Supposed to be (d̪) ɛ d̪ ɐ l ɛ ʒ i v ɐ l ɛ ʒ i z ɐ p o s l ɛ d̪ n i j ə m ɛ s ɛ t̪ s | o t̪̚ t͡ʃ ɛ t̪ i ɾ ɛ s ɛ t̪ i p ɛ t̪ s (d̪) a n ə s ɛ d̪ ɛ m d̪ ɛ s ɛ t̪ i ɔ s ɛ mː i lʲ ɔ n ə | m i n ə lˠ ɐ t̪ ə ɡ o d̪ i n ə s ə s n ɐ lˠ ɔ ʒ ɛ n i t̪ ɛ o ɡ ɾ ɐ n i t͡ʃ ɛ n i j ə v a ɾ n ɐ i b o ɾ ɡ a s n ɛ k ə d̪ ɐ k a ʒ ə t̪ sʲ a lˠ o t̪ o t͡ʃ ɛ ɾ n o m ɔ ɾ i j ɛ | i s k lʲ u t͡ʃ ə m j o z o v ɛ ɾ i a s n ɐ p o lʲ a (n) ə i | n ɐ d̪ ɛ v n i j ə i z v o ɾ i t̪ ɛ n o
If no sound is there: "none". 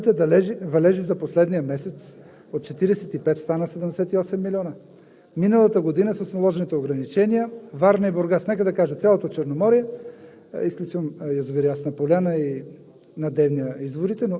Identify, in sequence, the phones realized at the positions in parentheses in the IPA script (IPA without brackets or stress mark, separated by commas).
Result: t̪, t̪, n